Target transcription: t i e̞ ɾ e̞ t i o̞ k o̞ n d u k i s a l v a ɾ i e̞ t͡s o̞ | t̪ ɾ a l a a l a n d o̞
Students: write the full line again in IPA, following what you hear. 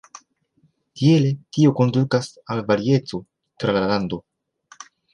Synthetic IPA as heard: t i e̞ l e̞ t i o̞ k o̞ n d u k a s a l v a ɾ i e̞ t͡s o̞ | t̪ ɾ a l a a l a n d o̞

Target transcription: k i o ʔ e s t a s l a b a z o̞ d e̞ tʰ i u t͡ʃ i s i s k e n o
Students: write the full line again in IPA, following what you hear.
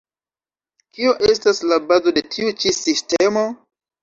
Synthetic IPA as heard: k i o ʔ e s t a s l a b a z o̞ d e̞ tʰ i u t͡ʃ i s i s t e m o

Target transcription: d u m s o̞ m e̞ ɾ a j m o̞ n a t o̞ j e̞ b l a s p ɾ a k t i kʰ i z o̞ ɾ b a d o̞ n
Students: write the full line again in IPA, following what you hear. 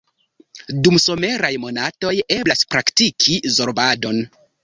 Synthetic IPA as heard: d u m s o̞ m e̞ ɾ a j m o̞ n a t o̞ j e̞ b l a s p ɾ a k t i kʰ i z o̞ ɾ b a d o̞ n

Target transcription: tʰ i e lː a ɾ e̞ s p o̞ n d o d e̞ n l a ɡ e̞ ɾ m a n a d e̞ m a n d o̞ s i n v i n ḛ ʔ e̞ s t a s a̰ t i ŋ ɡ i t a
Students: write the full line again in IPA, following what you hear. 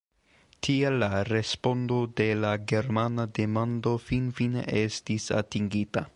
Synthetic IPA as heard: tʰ i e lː a ɾ e̞ s p o̞ n d o d e̞ l a ɡ e̞ ɾ m a n a d e̞ m a n d o̞ f i n f i n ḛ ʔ e̞ s t i s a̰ t i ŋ ɡ i t a

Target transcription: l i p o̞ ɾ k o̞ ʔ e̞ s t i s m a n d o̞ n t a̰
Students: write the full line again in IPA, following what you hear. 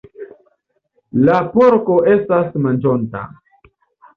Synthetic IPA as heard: l a p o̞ ɾ k o̞ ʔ e̞ s t a s m a n d͡ʒ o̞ n t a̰

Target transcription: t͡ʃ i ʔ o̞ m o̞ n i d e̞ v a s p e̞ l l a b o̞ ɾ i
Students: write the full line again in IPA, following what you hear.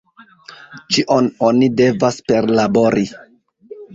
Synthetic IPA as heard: t͡ʃ i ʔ o̞ n o̞ n i d e̞ v a s p e̞ ɾ l a b o̞ ɾ i

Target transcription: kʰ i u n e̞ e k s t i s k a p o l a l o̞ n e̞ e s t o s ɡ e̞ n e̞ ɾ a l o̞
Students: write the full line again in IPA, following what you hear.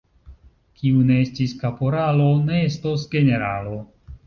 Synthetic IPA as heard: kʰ i u n e̞ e s t i s k a p o ɾ a l o̞ n e̞ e s t o s ɡ e̞ n e̞ ɾ a l o̞

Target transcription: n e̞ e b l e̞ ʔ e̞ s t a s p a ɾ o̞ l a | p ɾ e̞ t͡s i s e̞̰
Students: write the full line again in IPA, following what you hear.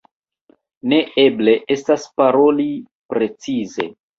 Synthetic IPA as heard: n e̞ e b l e̞ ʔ e̞ s t a s p a ɾ o̞ l i | p ɾ e̞ t͡s i z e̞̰

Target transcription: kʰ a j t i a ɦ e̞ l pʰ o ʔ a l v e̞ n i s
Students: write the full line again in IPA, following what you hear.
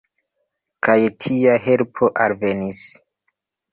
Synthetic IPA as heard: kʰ a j tʰ i a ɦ e̞ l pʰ o ʔ a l v e̞ n i s

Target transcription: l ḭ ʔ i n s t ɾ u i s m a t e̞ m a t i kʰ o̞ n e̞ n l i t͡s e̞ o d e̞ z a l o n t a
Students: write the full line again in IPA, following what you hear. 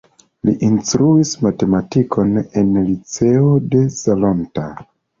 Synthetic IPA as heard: l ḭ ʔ i n s t ɾ u i s m a t e̞ m a t i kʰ o̞ n e̞ n l i t͡s e̞ o d e̞ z a l o n t a

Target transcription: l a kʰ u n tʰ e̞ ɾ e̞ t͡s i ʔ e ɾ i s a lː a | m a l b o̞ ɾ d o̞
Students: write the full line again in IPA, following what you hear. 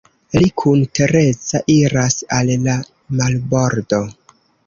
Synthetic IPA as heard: l i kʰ u n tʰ e̞ ɾ e̞ t͡s a ʔ i ɾ a s a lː a | m a l b o̞ ɾ d o̞

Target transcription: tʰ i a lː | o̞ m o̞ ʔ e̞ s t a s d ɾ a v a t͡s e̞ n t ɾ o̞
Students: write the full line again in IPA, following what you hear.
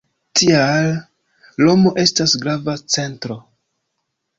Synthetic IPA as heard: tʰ i a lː | o̞ m o̞ ʔ e̞ s t a s ɡ ɾ a v a t͡s e̞ n t ɾ o̞

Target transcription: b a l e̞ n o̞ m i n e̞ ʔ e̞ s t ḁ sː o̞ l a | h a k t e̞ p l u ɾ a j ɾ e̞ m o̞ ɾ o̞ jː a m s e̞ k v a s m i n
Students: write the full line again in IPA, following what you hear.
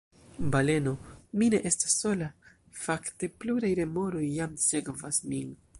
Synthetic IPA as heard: b a l e̞ n o̞ m i n e̞ ʔ e̞ s t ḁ sː o̞ l a | f a k t e̞ p l u ɾ a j ɾ e̞ m o̞ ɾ o̞ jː a m s e̞ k v a s m i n

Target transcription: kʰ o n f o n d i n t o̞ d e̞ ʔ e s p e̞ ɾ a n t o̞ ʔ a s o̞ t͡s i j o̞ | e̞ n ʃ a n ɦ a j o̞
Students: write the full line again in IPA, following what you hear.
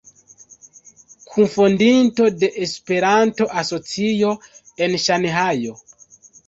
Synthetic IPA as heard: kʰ u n f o n d i n t o̞ d e̞ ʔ e s p e̞ ɾ a n t o̞ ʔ a s o̞ t͡s i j o̞ | e̞ n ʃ a n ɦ a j o̞

